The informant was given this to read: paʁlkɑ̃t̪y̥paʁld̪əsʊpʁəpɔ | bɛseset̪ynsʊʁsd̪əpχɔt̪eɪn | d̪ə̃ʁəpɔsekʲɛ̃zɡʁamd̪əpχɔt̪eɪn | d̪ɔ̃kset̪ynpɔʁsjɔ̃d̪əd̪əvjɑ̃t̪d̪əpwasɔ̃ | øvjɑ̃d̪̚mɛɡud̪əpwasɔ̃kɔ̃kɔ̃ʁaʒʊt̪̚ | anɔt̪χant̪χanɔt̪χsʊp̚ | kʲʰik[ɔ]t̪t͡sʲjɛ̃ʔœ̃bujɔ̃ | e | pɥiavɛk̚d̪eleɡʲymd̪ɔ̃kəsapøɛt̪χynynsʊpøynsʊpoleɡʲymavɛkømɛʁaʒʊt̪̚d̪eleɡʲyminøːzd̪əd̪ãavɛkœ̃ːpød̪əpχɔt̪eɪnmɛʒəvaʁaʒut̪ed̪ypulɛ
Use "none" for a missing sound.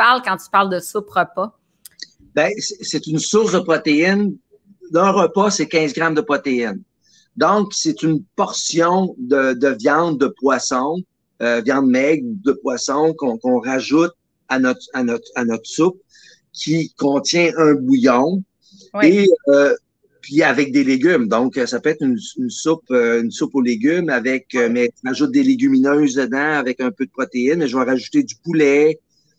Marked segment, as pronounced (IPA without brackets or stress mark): ɔ̃